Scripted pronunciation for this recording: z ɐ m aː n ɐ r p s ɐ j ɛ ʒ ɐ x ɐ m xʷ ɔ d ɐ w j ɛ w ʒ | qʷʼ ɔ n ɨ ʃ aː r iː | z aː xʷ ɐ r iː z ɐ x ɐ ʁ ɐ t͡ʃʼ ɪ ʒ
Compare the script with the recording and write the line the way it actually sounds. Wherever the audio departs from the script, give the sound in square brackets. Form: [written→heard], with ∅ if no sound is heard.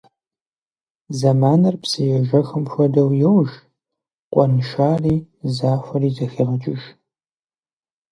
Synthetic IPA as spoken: z ɐ m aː n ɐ r p s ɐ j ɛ ʒ ɐ x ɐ m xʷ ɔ d ɐ w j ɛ w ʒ | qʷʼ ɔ n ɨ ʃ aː r iː | z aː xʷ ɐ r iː z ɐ x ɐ ʁ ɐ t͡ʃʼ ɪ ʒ